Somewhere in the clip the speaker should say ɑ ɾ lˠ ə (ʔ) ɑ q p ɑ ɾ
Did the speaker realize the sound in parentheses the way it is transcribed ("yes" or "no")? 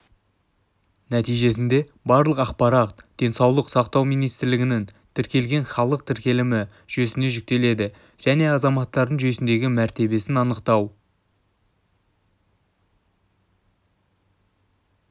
no